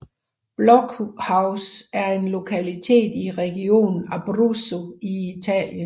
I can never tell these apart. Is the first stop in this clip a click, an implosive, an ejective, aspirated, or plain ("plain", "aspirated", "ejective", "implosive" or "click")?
plain